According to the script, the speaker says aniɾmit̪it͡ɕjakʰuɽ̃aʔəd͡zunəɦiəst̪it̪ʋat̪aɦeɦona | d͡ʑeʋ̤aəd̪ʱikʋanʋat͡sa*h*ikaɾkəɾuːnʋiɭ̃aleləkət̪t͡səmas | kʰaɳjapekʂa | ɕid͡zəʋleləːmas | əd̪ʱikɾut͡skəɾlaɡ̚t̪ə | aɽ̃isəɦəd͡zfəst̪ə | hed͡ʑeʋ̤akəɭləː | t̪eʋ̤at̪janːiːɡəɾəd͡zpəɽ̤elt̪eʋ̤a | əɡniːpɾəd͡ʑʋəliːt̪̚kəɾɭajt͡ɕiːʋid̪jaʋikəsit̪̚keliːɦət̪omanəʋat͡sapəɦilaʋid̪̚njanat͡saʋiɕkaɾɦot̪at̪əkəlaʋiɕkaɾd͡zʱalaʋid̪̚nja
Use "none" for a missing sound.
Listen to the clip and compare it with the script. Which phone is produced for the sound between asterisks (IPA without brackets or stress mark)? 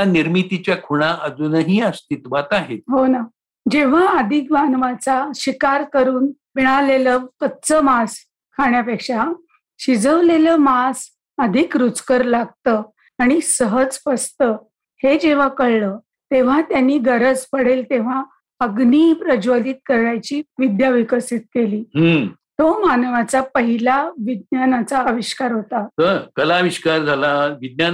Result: ɕ